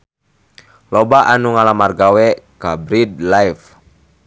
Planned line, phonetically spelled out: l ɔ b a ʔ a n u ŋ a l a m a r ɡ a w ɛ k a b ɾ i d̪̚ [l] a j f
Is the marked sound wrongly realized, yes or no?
no